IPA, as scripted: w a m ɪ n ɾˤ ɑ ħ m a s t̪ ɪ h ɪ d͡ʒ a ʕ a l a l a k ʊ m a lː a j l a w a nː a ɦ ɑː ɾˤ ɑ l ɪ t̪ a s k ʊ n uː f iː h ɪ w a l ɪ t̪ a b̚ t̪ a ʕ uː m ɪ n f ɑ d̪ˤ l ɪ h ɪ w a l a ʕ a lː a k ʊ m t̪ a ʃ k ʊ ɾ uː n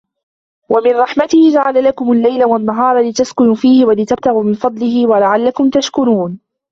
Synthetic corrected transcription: w a m ɪ n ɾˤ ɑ ħ m a t̪ ɪ h ɪ d͡ʒ a ʕ a l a l a k ʊ m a lː a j l a w a nː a ɦ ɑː ɾˤ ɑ l ɪ t̪ a s k ʊ n uː f iː h ɪ w a l ɪ t̪ a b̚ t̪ a ɣ uː m ɪ n f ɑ d̪ˤ l ɪ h ɪ w a l a ʕ a lː a k ʊ m t̪ a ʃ k ʊ ɾ uː n